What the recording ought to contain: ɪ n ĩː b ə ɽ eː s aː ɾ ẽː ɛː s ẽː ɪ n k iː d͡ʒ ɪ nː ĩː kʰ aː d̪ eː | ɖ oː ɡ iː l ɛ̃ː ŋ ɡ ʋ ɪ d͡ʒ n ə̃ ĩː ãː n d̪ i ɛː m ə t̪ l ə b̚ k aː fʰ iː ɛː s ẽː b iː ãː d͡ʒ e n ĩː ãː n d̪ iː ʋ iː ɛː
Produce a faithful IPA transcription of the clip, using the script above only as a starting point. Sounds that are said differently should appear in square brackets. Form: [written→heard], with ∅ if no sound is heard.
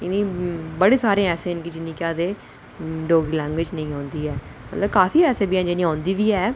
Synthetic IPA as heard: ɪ n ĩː b ə ɽ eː s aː ɾ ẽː ɛː s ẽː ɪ n k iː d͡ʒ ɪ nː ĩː [kʰ→k] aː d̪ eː | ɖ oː ɡ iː l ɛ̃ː ŋ ɡ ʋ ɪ d͡ʒ n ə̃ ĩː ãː n d̪ [i→iː] ɛː m ə t̪ l ə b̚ k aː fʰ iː ɛː s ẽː b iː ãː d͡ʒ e n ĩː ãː n d̪ iː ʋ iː ɛː